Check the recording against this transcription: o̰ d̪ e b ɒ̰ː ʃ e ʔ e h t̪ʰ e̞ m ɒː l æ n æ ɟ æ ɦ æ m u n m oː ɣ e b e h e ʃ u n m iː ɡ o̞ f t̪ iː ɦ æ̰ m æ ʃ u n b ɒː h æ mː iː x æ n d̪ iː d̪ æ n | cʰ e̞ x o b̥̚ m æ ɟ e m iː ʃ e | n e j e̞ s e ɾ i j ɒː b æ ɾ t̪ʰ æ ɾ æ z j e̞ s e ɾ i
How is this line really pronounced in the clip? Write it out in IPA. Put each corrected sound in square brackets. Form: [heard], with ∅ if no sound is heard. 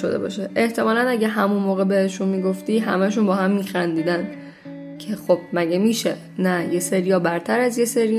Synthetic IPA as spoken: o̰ d̪ e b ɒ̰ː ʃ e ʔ e h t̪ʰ e̞ m ɒː l æ n æ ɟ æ ɦ æ m u n m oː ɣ e b e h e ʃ u n m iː ɡ o̞ f t̪ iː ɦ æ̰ m æ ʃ u n b ɒː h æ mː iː x æ n d̪ iː d̪ æ n | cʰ e̞ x o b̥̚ m æ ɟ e m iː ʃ e | n [æ] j e̞ s e ɾ i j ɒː b æ ɾ t̪ʰ æ ɾ æ z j e̞ s e ɾ i